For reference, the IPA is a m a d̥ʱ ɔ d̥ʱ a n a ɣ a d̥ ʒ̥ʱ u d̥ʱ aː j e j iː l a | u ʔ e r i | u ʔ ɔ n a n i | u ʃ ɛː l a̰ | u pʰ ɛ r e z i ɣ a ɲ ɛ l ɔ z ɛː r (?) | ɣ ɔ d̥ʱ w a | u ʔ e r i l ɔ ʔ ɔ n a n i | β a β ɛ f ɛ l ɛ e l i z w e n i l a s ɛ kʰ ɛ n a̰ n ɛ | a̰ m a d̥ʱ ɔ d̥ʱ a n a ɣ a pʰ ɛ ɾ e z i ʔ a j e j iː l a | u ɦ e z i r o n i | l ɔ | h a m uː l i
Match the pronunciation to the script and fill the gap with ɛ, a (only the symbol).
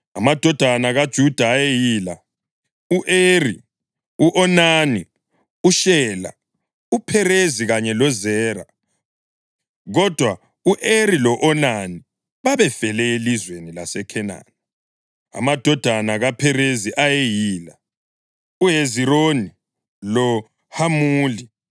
a